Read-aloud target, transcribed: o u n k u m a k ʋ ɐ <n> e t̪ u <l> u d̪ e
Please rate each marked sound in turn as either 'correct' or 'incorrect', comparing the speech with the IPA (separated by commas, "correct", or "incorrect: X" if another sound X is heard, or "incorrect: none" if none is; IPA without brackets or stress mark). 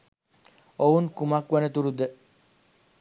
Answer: correct, incorrect: ɾ